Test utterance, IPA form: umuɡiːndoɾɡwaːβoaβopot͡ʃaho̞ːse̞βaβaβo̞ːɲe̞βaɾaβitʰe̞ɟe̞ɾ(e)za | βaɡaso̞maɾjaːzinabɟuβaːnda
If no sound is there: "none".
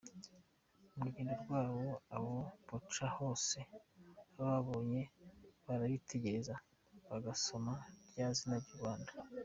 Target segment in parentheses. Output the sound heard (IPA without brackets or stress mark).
e